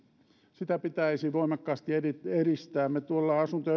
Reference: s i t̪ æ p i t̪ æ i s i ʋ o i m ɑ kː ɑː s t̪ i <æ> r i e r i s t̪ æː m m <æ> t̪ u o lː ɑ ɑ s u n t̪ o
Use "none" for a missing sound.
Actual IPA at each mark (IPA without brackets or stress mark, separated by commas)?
e, e